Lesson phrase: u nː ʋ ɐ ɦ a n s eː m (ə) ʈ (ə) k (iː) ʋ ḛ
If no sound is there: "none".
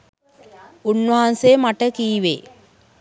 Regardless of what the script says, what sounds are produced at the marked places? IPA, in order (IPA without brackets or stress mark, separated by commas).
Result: a, ə, iː